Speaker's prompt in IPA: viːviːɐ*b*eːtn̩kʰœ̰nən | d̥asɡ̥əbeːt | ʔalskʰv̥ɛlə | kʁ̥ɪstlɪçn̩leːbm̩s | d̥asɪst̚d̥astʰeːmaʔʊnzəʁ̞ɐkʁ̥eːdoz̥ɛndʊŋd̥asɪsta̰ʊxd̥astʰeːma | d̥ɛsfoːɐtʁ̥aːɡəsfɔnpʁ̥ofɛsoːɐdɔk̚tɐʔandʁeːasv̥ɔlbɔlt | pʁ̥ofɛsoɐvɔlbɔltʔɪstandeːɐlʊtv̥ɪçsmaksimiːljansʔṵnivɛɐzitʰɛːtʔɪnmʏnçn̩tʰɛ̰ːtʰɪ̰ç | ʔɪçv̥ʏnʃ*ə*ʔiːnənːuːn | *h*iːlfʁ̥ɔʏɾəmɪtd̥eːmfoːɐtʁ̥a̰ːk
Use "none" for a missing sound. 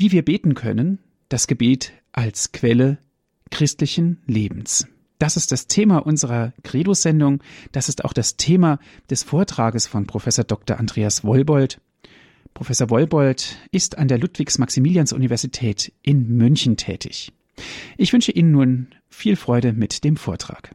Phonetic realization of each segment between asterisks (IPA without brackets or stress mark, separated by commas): b, ə, f